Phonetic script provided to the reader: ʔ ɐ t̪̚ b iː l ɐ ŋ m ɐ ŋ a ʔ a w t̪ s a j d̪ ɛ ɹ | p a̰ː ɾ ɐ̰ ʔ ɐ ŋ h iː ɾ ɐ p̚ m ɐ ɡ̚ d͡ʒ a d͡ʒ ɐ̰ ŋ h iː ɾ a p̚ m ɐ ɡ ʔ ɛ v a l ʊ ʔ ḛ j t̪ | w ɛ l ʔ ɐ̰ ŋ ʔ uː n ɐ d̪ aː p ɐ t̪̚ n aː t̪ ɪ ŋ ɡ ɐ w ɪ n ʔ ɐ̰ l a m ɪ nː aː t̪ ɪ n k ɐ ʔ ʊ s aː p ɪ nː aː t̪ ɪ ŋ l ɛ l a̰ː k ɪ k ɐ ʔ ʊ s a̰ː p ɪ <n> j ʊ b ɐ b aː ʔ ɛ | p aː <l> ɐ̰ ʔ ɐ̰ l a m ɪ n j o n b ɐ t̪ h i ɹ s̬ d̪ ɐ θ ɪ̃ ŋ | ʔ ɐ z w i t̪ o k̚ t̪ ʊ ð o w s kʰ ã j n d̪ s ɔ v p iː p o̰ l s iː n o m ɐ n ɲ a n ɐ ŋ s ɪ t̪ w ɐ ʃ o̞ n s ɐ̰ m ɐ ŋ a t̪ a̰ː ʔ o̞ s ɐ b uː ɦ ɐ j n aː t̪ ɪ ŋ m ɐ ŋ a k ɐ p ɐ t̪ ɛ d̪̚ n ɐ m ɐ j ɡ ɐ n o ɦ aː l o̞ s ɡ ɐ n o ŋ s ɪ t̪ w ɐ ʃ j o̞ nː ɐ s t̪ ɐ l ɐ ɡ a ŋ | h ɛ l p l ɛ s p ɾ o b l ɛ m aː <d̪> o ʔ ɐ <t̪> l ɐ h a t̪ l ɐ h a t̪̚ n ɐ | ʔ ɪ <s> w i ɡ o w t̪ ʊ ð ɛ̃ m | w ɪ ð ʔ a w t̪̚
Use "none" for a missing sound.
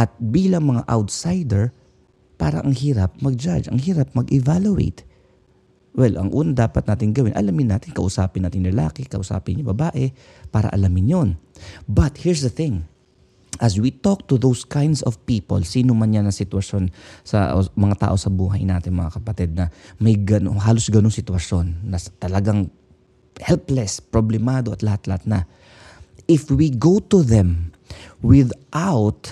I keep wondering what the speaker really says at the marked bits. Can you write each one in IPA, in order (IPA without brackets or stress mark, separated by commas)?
n, ɾ, d̪, t̪, f